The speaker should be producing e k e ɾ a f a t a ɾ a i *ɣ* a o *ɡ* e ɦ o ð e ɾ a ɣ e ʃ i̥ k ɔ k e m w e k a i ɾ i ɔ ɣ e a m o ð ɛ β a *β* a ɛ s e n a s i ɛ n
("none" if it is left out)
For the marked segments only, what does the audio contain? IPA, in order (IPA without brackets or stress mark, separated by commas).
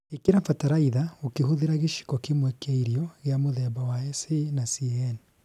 ð, k, w